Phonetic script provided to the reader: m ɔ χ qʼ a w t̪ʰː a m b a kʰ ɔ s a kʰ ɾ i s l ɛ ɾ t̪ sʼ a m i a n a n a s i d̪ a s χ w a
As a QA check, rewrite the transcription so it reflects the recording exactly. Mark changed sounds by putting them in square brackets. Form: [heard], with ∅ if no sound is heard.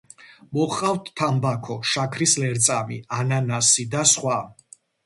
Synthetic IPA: m ɔ χ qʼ a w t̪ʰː a m b a kʰ ɔ [ʃ] a kʰ ɾ i s l ɛ ɾ t̪ sʼ a m i a n a n a s i d̪ a s χ w a